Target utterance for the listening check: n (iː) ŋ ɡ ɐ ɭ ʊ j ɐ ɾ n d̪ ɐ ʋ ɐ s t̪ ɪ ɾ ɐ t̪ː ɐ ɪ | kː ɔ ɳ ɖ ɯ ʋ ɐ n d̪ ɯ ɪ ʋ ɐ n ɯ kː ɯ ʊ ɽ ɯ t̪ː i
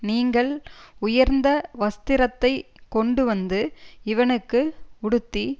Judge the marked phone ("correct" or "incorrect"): correct